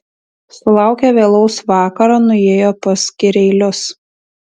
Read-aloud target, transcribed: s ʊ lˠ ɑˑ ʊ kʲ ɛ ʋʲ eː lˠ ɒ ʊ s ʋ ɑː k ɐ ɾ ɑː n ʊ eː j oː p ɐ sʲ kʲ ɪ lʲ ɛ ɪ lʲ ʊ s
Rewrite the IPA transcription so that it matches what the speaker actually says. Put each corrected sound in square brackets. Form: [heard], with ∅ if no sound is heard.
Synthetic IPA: s ʊ lˠ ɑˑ ʊ kʲ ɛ ʋʲ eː lˠ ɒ ʊ s ʋ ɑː k ɐ ɾ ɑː n ʊ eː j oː p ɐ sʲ kʲ ɪ [ɾʲ] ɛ ɪ lʲ ʊ s

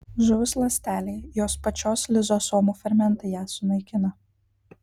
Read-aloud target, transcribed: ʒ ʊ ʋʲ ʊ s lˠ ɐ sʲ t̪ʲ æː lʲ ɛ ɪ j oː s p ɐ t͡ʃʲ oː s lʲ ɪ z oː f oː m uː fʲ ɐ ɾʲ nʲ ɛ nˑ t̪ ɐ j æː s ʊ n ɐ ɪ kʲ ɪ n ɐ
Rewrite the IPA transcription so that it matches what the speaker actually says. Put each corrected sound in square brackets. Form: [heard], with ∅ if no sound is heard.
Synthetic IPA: ʒ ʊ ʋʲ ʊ s lˠ ɐ sʲ t̪ʲ æː lʲ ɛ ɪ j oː s p ɐ t͡ʃʲ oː s lʲ ɪ z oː [s] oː m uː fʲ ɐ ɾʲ [mʲ] ɛ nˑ t̪ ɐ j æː s ʊ n ɐ ɪ kʲ ɪ n ɐ

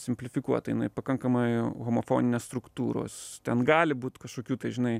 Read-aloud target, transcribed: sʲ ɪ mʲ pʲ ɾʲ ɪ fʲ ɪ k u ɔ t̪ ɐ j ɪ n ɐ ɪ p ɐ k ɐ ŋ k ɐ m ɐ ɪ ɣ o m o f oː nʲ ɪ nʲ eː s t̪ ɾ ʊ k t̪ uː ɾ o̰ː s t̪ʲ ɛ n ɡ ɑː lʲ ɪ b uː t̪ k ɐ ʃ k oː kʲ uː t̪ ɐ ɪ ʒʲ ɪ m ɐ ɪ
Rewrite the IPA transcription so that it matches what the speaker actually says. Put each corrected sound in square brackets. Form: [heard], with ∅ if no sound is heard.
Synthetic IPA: sʲ ɪ mʲ pʲ [lʲ] ɪ fʲ ɪ k u ɔ t̪ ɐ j ɪ n ɐ ɪ p ɐ k ɐ ŋ k ɐ m ɐ ɪ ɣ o m o f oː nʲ ɪ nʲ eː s t̪ ɾ ʊ k t̪ uː ɾ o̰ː s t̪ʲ ɛ n ɡ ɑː lʲ ɪ b uː t̪ k ɐ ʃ k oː kʲ uː t̪ ɐ ɪ ʒʲ ɪ [n] ɐ ɪ

